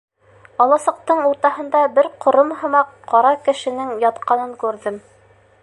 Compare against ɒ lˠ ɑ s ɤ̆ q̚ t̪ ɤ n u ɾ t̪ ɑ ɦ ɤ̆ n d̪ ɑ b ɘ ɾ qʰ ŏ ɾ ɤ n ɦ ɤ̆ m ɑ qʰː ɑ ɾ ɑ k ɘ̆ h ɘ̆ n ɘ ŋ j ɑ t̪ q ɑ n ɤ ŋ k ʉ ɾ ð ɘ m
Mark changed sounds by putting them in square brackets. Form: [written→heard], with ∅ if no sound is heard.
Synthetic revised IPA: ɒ lˠ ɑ s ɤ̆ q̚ t̪ ɤ [n→ɴ] u ɾ t̪ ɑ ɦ ɤ̆ n d̪ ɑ b ɘ ɾ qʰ ŏ ɾ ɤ [n→m] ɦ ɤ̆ m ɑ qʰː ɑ ɾ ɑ k ɘ̆ [h→ʃ] ɘ̆ n ɘ ŋ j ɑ t̪ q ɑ n ɤ ŋ k ʉ ɾ ð ɘ m